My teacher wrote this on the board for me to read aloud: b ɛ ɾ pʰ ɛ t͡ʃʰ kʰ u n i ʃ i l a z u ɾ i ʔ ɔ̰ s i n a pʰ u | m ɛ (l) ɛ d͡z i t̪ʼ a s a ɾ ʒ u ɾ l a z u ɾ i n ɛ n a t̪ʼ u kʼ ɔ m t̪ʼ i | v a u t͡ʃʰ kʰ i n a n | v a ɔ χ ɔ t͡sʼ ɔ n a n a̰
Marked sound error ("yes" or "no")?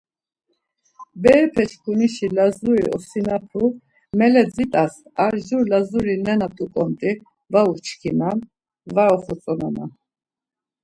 no